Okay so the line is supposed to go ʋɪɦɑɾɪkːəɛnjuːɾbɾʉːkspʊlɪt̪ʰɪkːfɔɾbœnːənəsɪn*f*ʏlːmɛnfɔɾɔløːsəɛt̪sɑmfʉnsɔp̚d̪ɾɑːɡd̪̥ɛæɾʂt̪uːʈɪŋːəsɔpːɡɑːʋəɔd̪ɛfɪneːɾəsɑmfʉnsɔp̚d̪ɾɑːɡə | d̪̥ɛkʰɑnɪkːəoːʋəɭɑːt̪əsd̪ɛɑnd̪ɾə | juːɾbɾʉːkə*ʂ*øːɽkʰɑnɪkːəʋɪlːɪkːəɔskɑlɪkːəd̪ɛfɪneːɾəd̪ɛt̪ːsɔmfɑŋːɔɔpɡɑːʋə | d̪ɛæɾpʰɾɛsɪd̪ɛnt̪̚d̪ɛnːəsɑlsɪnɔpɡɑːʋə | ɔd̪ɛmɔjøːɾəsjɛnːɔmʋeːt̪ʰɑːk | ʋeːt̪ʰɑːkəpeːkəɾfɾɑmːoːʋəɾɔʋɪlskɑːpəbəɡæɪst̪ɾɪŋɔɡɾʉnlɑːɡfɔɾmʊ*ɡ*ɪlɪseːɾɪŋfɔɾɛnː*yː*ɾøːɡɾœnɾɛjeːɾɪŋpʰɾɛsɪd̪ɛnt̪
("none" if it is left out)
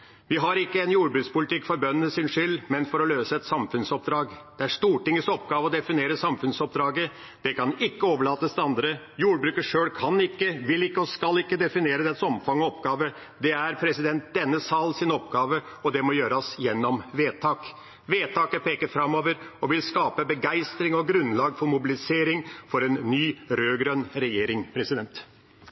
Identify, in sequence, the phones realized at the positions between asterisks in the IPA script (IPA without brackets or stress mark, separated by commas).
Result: ʂ, ʂ, b, yː